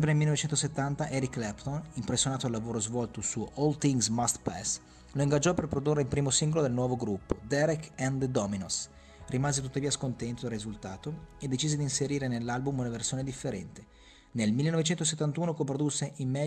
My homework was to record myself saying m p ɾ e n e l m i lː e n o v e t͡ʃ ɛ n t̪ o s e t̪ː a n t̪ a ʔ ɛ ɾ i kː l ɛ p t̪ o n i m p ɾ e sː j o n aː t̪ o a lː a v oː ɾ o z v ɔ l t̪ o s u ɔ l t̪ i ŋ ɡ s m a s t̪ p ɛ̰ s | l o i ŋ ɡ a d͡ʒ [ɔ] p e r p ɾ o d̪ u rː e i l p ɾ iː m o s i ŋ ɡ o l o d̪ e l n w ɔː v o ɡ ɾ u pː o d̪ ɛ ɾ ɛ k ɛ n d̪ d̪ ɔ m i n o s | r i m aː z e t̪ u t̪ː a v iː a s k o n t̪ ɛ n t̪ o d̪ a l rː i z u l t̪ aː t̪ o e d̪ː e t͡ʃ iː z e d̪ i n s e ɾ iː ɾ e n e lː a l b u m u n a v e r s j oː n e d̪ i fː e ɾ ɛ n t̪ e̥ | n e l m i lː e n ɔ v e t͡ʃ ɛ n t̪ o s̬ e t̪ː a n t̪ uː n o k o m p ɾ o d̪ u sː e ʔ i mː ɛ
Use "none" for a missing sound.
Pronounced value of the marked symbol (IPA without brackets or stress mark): ɔ